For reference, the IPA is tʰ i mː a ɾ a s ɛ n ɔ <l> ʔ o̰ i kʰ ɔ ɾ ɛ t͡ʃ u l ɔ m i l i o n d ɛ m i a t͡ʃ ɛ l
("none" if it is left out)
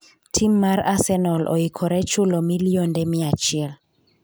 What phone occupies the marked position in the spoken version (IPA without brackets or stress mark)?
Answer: l